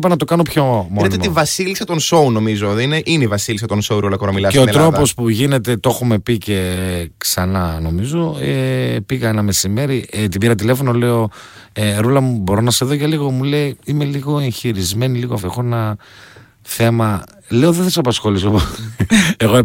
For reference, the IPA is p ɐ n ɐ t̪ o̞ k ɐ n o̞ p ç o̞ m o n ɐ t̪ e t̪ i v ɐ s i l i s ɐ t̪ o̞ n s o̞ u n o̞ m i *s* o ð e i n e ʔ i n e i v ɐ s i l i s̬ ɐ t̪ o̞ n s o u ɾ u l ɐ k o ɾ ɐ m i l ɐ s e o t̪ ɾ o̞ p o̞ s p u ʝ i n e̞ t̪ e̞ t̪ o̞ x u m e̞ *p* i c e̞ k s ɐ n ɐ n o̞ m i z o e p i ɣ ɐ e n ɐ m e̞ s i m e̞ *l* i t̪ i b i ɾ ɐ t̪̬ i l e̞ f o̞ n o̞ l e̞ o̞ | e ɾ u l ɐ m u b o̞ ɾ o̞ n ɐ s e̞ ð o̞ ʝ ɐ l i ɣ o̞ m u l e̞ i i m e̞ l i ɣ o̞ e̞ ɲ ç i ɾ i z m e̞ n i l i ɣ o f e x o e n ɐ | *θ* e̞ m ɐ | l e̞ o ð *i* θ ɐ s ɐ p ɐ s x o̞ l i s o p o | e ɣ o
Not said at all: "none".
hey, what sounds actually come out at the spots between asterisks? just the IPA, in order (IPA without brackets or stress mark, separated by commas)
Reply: z, p, ɾ, θ, e